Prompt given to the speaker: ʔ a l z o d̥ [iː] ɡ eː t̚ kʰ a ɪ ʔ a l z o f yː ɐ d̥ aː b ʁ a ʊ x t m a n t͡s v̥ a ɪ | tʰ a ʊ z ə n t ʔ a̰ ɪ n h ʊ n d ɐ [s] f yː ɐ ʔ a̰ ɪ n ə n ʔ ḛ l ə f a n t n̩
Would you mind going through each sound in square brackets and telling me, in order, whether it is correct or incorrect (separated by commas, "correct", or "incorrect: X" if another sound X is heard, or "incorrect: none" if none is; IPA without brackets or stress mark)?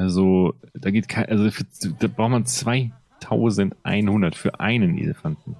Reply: incorrect: aː, incorrect: t